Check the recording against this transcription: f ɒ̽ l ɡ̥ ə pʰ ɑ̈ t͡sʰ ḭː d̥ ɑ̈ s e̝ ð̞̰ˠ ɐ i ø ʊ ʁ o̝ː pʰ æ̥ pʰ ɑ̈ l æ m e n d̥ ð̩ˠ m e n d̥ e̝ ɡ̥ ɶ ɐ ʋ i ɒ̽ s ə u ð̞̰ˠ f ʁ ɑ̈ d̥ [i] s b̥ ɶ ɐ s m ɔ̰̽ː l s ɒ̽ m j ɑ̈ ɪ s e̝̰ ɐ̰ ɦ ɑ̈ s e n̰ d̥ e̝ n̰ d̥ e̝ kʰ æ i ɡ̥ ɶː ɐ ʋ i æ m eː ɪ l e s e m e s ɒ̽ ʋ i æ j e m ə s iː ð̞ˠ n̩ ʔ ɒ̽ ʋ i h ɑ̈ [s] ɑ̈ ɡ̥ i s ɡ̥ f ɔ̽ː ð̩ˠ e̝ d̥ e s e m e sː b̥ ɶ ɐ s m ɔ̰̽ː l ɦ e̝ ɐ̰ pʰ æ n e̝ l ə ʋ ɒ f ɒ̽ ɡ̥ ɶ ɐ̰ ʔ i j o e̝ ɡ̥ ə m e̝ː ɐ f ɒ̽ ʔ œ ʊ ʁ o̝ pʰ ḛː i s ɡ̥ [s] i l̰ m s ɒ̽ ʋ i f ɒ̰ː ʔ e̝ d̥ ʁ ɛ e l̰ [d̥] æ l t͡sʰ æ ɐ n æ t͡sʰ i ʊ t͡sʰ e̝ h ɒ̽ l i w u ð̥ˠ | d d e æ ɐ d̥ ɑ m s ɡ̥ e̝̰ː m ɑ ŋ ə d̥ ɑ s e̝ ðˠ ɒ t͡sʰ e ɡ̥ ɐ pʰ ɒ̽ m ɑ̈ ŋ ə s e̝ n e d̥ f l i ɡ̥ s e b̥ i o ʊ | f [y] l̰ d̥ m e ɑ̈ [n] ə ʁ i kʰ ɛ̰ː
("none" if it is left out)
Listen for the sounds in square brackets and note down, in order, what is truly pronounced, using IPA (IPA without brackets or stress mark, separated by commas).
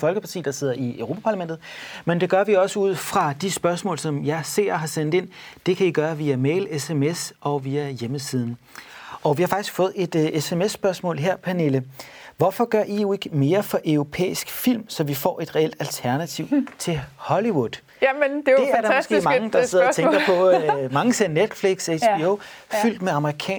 i, f, f, d̥, y, m